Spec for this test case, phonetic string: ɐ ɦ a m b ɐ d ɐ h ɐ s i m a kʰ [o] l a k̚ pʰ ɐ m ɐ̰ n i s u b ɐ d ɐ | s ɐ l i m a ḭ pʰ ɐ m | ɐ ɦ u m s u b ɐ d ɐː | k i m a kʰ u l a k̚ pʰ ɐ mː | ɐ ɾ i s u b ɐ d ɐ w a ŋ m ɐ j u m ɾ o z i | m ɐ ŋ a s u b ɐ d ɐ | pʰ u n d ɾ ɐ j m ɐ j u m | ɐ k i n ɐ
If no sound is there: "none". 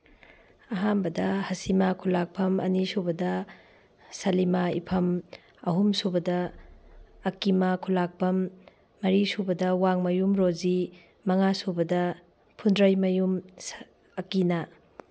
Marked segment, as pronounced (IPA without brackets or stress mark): u